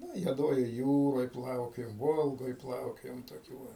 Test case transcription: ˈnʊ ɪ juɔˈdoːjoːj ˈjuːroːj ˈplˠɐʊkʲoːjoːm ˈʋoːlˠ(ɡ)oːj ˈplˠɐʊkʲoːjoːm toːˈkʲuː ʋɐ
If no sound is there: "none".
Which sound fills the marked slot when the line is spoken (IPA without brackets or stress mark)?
ɡ